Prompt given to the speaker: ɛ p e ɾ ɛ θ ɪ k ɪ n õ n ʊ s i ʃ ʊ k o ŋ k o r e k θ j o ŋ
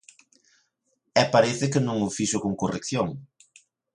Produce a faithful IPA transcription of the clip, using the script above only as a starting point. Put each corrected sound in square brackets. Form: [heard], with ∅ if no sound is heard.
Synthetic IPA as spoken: ɛ p [a] ɾ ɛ θ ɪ k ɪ n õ [ŋ] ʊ [f] i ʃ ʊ k o ŋ k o r e k θ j o ŋ